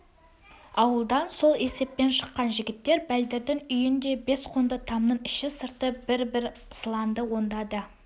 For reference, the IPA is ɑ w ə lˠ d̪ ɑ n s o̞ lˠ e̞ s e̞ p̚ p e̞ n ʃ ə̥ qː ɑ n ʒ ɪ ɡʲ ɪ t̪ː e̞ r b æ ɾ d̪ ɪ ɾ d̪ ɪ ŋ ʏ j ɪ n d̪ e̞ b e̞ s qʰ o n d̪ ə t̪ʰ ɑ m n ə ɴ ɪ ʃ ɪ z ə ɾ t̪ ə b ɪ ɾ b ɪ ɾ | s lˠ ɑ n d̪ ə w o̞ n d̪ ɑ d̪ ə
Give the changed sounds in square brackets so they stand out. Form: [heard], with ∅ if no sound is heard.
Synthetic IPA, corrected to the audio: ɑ w ə lˠ d̪ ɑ n s o̞ lˠ e̞ s e̞ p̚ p e̞ n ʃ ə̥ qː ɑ n ʒ ɪ ɡʲ ɪ t̪ː e̞ [ɾ] b æ [l] d̪ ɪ ɾ d̪ ɪ ŋ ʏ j ɪ n d̪ e̞ b e̞ s qʰ o n d̪ ə t̪ʰ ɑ m n ə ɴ ɪ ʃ ɪ [s] ə ɾ t̪ ə b ɪ ɾ b ɪ ɾ | s lˠ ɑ n d̪ ə w o̞ n d̪ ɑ d̪ ə

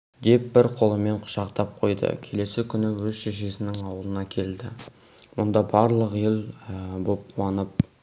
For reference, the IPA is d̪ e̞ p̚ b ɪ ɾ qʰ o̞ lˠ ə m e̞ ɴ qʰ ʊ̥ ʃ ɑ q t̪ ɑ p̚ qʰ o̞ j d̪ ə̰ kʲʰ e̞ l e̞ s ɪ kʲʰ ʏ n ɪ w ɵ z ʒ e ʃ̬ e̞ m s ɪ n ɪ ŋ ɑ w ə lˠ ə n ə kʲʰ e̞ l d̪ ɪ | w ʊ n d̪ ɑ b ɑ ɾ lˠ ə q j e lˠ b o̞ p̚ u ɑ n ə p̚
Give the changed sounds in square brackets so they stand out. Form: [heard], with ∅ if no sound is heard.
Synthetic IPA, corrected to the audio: d̪ e̞ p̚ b ɪ ɾ qʰ o̞ lˠ ə m e̞ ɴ qʰ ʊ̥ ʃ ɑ q t̪ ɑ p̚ qʰ o̞ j d̪ ə̰ kʲʰ e̞ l e̞ s ɪ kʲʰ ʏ n ɪ w ɵ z [ʃ] e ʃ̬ e̞ [∅] s ɪ n ɪ ŋ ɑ w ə lˠ ə n [ɑ] kʲʰ e̞ l d̪ ɪ | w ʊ n d̪ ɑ b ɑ ɾ lˠ ə q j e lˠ b o̞ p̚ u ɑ n ə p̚

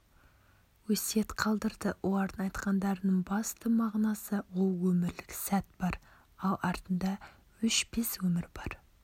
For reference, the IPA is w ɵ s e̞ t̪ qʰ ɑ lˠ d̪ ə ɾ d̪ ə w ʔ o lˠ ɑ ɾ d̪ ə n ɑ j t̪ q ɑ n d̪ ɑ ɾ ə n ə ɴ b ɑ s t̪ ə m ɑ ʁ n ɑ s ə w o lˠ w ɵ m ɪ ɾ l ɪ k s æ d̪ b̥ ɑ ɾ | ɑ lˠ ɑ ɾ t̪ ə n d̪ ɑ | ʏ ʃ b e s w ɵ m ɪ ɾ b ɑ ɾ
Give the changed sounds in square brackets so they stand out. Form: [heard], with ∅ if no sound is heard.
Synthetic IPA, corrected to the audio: w ɵ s e̞ t̪ qʰ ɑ lˠ d̪ ə ɾ d̪ ə w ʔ o lˠ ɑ ɾ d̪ ə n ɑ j t̪ q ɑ n d̪ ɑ ɾ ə n ə ɴ b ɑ s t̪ ə m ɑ ʁ n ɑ s ə w o lˠ w ɵ m ɪ ɾ l ɪ k s æ [t̪] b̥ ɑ ɾ | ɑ lˠ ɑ ɾ t̪ ə n d̪ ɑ | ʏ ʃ b e s w ɵ m ɪ ɾ b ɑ ɾ

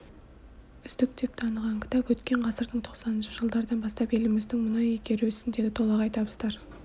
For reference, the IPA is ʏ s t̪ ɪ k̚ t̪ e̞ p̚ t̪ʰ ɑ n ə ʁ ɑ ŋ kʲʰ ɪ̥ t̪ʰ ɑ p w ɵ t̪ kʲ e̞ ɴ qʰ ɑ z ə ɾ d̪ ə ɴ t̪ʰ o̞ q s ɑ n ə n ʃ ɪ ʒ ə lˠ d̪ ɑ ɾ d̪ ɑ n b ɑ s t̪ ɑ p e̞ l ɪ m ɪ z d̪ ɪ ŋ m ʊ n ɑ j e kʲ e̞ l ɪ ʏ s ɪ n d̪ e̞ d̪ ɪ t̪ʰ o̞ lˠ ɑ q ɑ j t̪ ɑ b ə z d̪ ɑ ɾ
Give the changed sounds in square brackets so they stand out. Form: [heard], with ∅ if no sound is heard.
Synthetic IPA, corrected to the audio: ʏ s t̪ ɪ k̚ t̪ e̞ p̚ t̪ʰ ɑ n ə ʁ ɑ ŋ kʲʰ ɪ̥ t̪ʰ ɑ p w ɵ t̪ kʲ e̞ ɴ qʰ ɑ [s] ə ɾ d̪ ə ɴ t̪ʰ o̞ q s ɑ n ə n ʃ ɪ ʒ ə lˠ d̪ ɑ ɾ d̪ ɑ n b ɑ s t̪ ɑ p e̞ l ɪ m ɪ z d̪ ɪ ŋ m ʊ n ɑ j e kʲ e̞ [ɾ] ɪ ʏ s ɪ n d̪ e̞ d̪ ɪ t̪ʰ o̞ lˠ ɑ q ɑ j t̪ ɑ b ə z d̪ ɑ ɾ

